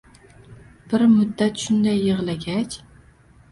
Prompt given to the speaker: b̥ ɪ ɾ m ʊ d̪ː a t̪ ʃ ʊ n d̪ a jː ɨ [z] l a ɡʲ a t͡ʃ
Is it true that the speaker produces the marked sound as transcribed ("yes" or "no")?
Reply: no